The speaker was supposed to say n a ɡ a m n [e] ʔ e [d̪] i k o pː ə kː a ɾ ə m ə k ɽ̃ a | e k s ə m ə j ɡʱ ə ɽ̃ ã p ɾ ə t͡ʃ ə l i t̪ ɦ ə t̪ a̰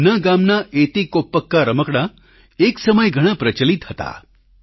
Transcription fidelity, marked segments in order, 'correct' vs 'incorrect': incorrect, incorrect

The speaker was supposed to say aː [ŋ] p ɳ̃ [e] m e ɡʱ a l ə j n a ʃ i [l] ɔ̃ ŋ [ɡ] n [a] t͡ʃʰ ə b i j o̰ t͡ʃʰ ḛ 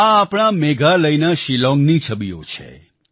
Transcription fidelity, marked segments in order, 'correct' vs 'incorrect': incorrect, incorrect, correct, correct, incorrect

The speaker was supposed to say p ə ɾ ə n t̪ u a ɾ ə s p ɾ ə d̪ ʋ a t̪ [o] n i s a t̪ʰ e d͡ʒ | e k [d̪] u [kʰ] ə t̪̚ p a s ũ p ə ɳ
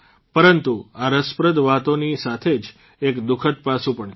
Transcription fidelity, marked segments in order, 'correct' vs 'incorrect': correct, correct, correct

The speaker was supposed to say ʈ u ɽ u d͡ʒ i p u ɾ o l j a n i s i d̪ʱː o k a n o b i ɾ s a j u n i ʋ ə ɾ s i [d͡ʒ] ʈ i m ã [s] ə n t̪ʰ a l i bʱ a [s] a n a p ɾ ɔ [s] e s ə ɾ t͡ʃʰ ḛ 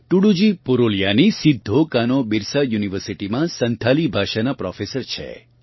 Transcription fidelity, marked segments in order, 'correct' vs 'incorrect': incorrect, correct, incorrect, incorrect

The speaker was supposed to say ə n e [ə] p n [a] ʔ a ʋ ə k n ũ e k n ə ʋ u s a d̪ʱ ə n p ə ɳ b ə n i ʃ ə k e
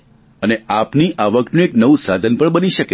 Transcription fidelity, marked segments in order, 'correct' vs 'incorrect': incorrect, incorrect

